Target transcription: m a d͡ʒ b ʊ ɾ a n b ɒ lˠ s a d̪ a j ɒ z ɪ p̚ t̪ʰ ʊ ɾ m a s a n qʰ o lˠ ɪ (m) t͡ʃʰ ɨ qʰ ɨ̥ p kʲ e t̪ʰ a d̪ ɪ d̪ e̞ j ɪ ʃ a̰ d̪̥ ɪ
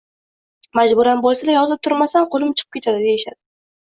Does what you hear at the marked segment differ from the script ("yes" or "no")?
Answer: no